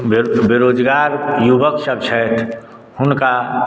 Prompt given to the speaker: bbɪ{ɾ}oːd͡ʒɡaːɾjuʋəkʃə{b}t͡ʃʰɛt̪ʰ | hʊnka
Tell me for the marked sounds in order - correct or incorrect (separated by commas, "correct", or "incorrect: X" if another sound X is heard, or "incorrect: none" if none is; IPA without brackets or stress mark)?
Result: correct, correct